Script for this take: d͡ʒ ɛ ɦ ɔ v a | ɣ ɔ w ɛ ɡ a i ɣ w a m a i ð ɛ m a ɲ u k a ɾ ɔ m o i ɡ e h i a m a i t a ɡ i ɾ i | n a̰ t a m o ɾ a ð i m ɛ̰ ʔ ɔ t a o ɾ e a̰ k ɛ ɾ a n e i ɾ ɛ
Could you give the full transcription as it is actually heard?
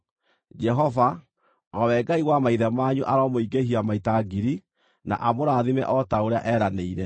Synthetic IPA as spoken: d͡ʒ ɛ ɦ ɔ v a | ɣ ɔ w ɛ ɡ a i ɣ w a m a i ð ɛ m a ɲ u ʔ a ɾ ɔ m o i ɡ e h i a m a i t a ɡ i ɾ i | n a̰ ʔ a m o ɾ a ð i m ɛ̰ ʔ ɔ t a o ɾ e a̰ ʔ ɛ ɾ a n e i ɾ ɛ